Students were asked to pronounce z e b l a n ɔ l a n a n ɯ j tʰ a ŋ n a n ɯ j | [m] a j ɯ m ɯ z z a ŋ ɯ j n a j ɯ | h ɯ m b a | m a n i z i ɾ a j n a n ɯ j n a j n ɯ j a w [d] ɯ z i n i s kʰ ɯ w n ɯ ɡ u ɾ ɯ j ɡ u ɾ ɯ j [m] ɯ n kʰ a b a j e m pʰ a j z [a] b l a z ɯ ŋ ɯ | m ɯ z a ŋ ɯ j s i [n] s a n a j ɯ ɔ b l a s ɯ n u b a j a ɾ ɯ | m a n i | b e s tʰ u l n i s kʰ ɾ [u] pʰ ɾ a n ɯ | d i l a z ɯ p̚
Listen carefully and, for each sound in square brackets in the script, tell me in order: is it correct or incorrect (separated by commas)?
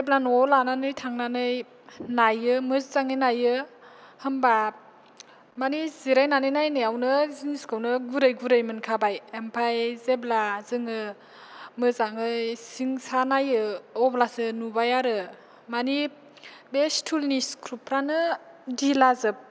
incorrect, incorrect, correct, incorrect, incorrect, correct